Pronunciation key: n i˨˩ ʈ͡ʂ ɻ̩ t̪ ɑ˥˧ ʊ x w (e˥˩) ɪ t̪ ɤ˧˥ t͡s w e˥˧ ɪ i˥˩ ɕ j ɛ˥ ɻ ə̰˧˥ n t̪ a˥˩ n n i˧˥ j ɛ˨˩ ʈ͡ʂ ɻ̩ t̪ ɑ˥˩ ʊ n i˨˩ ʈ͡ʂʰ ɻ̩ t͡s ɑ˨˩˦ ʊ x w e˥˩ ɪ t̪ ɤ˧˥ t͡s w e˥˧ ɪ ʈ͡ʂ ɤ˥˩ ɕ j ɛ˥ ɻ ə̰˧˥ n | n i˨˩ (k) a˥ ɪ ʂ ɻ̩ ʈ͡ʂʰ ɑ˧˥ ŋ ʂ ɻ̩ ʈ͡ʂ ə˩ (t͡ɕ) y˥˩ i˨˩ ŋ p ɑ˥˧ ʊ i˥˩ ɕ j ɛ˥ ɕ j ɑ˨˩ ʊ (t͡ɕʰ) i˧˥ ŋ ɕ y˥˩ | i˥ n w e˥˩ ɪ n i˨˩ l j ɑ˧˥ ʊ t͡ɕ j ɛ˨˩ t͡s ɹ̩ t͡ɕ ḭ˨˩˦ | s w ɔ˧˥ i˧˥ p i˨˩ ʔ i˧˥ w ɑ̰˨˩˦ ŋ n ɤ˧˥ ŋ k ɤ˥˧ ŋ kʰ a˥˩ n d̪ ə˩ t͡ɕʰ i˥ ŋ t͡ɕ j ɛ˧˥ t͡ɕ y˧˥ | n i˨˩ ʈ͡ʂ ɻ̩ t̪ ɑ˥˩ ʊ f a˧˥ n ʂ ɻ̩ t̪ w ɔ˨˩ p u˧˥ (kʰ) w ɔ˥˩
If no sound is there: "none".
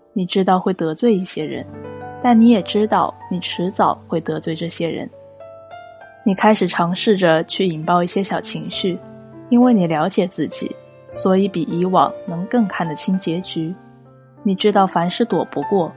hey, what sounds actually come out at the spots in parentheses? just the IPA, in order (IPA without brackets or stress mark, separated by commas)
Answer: e˥˩, kʰ, t͡ɕʰ, t͡ɕʰ, k